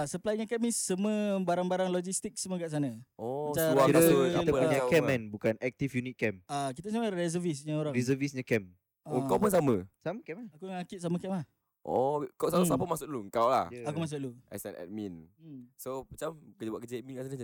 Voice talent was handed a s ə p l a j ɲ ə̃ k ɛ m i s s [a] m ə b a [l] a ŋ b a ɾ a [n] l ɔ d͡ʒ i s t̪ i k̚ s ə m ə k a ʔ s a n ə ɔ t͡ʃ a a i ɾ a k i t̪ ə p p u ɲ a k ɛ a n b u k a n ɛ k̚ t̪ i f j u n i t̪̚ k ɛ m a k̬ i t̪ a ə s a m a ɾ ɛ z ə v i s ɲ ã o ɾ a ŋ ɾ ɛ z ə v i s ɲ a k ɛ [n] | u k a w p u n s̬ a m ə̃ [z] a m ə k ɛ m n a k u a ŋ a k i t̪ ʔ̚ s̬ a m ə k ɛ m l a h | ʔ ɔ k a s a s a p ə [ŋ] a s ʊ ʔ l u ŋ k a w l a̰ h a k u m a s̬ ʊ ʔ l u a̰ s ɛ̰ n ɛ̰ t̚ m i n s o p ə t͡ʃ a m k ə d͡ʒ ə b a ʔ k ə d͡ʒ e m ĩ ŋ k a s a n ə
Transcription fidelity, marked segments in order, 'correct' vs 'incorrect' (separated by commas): incorrect, incorrect, incorrect, incorrect, incorrect, incorrect